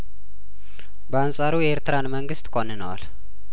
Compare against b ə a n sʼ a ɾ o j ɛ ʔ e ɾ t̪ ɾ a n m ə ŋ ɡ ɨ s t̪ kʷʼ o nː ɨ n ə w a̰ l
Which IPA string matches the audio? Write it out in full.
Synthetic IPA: b ə a n sʼ a ɾ u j ɛ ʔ e ɾ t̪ ɾ a n m ə ŋ ɡ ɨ s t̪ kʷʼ o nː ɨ n ə w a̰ l